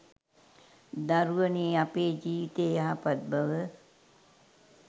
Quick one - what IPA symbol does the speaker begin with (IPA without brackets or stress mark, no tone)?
d̪